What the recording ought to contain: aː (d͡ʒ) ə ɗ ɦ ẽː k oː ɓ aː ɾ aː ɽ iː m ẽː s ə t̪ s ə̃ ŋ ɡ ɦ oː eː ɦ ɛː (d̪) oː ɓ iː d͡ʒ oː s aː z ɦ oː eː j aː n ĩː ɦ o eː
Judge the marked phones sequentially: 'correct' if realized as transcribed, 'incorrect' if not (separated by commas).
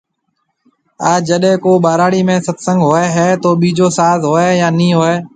correct, incorrect